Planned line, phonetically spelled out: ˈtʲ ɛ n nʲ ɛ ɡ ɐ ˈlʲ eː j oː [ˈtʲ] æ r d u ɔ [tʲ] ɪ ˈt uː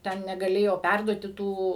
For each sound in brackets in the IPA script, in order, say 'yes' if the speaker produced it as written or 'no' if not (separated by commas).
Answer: no, yes